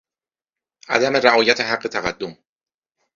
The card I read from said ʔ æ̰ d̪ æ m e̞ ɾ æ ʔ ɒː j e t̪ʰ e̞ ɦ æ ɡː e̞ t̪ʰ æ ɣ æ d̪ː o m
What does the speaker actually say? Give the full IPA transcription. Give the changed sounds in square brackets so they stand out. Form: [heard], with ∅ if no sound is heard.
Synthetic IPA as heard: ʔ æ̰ d̪ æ m e̞ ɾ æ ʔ ɒː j [æ] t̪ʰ e̞ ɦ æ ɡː e̞ t̪ʰ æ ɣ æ d̪ː o m